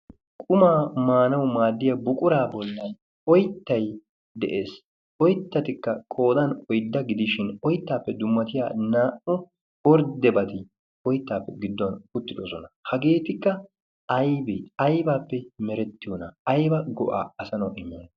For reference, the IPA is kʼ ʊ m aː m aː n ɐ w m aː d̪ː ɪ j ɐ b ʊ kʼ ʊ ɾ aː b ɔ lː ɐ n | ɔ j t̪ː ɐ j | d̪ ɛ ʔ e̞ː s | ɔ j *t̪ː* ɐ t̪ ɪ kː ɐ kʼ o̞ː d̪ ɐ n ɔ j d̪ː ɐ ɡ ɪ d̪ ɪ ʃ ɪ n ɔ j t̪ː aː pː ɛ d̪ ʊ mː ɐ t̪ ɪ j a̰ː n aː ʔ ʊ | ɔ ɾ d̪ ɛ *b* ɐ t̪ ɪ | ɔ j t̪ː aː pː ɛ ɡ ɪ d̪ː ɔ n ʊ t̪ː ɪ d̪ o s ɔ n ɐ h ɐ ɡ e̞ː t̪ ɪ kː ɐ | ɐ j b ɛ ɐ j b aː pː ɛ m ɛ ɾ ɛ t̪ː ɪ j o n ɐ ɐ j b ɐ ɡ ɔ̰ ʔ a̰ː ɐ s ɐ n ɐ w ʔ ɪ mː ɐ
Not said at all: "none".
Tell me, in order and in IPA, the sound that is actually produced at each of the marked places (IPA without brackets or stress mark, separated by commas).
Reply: t̪ː, b